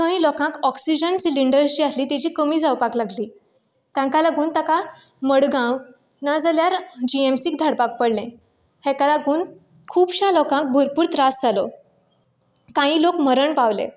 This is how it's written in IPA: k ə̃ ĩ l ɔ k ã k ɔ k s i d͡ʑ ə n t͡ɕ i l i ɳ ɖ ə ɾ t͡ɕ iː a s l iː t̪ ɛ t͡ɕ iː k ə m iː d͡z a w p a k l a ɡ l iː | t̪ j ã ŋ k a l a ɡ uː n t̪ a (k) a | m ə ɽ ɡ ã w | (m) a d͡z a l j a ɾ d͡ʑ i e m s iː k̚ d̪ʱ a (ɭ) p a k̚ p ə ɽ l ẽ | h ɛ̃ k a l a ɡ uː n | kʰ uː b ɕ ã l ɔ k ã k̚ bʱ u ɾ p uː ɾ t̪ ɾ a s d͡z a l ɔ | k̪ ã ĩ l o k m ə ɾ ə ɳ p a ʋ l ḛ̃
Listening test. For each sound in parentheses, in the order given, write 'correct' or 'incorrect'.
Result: correct, incorrect: n, incorrect: ɽ

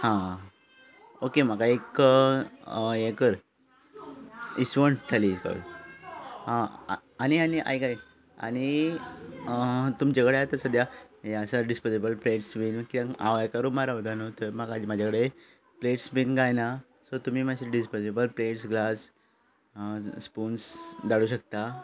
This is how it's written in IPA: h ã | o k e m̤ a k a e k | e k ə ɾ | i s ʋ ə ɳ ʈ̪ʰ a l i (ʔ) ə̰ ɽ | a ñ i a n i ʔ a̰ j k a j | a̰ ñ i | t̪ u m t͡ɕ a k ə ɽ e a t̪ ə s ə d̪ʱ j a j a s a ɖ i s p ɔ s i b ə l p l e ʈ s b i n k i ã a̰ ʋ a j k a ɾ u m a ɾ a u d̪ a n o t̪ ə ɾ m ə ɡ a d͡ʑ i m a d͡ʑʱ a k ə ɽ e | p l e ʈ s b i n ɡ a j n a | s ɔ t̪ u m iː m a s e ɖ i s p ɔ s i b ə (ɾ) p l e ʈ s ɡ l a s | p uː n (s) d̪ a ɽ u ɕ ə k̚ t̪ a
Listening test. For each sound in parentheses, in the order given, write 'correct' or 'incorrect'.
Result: incorrect: k, incorrect: l, correct

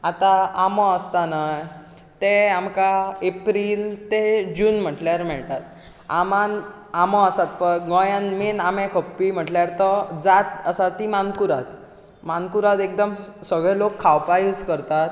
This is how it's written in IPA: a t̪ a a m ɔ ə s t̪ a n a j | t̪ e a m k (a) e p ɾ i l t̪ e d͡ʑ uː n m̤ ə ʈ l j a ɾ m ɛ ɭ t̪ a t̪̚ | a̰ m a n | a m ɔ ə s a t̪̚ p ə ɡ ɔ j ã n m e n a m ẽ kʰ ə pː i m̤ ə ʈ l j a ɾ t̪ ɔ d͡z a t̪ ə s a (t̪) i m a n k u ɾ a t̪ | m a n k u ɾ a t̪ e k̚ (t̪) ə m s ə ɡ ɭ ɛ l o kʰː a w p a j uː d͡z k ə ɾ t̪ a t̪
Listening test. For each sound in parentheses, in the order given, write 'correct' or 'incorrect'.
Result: correct, correct, incorrect: d̪

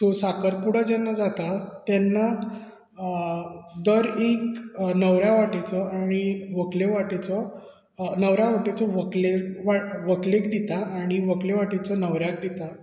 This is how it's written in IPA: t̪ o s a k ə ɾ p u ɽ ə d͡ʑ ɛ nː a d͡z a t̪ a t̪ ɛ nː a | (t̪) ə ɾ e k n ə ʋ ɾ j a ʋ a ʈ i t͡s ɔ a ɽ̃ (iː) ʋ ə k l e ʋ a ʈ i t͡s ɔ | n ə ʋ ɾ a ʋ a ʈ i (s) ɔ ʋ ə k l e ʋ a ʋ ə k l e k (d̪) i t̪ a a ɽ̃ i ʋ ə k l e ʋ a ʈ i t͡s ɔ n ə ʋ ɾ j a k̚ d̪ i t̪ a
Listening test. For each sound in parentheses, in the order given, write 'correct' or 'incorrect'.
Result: incorrect: d̪, incorrect: i, incorrect: t͡s, correct

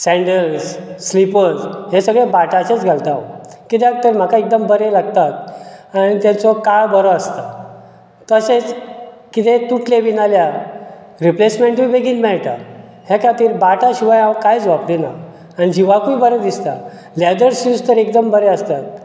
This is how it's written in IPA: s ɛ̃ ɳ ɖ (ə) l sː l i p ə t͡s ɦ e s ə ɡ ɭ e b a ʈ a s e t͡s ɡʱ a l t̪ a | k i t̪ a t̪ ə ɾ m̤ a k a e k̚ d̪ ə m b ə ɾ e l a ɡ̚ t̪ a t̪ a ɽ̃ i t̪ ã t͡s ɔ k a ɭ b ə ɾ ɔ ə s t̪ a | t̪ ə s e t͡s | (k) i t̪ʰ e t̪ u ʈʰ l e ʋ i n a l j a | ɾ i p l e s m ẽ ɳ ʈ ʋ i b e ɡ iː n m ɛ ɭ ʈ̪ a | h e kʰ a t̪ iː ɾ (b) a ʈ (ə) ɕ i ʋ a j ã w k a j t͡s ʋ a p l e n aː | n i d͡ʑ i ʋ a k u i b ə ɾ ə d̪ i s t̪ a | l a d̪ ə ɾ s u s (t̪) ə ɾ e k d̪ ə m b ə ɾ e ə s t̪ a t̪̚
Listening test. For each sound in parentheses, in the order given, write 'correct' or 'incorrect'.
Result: correct, correct, correct, incorrect: a, correct

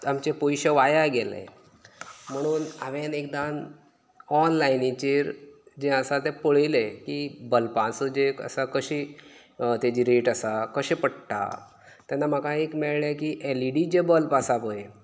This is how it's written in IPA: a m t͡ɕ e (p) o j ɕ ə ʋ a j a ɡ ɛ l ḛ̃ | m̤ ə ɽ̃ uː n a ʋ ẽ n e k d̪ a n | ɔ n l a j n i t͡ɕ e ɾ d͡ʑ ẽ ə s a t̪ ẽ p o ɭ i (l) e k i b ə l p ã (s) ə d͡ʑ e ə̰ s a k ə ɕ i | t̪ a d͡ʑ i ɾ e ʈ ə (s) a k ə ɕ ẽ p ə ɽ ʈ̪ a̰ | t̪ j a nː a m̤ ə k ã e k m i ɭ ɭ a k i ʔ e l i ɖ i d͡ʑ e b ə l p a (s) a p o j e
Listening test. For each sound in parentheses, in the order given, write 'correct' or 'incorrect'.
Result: correct, correct, correct, correct, correct

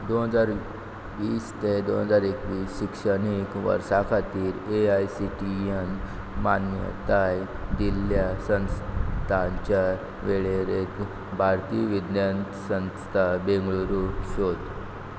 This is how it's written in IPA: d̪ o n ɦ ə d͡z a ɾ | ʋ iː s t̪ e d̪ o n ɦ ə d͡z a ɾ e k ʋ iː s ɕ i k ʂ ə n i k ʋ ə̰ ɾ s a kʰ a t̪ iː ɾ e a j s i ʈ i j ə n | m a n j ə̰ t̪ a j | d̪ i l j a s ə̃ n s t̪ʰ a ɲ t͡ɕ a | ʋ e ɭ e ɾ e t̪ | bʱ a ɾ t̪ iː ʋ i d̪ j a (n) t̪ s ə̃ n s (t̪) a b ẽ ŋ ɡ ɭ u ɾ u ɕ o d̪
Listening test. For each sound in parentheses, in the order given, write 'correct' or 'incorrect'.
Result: correct, incorrect: t̪ʰ

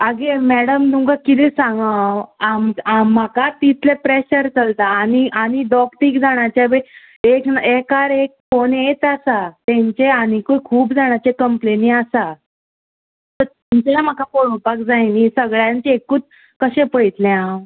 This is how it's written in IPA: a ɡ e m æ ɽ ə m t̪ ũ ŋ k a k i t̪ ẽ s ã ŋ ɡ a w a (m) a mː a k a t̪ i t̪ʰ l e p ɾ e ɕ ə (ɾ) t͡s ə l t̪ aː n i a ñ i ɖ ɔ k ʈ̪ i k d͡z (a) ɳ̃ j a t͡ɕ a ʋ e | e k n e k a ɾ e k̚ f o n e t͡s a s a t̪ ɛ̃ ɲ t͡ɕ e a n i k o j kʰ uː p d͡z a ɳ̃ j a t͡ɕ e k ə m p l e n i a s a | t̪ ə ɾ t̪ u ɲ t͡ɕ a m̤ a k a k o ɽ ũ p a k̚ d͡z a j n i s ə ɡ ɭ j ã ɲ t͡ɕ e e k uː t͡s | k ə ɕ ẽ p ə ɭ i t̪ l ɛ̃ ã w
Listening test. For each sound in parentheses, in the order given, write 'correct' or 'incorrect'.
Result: correct, correct, correct

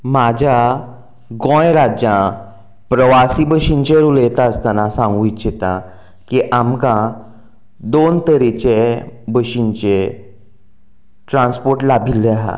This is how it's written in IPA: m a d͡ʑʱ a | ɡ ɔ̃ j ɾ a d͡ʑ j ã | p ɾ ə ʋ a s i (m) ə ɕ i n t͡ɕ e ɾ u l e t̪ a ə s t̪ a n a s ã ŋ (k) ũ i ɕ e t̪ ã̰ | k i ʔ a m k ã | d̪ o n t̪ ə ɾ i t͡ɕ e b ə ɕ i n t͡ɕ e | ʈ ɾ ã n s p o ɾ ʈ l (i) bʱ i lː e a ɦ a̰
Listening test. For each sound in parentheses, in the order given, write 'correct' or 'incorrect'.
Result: incorrect: b, incorrect: ɡ, incorrect: a

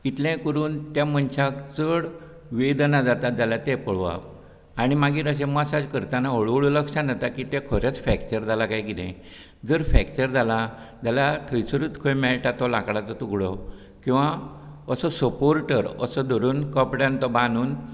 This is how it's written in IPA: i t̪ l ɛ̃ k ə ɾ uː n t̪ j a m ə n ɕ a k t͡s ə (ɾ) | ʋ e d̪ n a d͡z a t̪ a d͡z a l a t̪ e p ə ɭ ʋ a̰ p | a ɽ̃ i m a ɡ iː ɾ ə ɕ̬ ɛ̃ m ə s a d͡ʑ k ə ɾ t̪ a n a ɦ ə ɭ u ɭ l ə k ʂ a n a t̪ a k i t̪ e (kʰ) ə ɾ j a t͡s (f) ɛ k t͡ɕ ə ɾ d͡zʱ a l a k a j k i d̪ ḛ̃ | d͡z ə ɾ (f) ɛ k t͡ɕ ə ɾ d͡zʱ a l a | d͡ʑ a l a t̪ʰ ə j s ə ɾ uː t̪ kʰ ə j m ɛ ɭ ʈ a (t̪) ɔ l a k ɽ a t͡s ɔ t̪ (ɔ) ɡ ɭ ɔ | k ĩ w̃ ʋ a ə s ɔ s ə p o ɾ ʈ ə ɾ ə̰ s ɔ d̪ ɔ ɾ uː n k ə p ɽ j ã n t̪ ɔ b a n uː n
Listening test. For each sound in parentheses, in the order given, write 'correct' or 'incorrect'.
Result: incorrect: ɽ, correct, correct, correct, correct, incorrect: u

